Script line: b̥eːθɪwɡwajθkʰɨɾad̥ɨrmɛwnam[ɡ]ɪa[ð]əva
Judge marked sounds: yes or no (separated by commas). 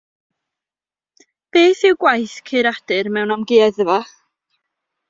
yes, yes